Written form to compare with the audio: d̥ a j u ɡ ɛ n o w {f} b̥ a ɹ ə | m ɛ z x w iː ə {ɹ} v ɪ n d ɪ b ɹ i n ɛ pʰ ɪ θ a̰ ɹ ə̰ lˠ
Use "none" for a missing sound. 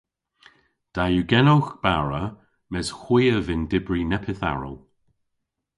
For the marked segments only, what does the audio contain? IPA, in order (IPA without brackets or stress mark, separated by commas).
x, none